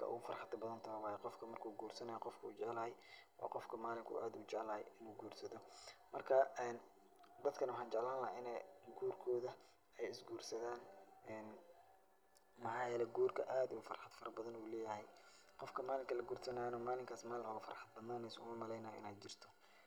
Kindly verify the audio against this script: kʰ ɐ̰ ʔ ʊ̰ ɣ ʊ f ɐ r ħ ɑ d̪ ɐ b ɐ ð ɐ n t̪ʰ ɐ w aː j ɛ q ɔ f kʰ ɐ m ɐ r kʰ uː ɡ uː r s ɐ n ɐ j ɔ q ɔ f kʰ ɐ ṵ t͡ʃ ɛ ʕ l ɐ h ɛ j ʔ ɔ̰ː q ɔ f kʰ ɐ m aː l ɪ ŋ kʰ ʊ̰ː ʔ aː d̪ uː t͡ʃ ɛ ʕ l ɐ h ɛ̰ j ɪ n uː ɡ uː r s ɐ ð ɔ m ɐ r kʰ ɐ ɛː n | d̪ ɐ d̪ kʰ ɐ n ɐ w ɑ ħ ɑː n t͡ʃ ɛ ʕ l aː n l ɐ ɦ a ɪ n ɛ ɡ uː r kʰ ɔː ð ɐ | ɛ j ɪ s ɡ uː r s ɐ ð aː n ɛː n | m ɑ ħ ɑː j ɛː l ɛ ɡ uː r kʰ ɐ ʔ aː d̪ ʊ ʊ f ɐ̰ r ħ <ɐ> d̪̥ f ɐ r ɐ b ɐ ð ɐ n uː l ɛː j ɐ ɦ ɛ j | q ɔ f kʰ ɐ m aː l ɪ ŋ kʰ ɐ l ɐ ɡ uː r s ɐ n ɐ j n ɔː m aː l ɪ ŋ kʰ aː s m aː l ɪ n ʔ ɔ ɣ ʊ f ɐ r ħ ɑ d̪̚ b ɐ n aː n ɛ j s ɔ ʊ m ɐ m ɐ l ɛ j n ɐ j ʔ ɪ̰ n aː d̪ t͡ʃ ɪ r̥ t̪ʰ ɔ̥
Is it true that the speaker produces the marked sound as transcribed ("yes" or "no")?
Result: no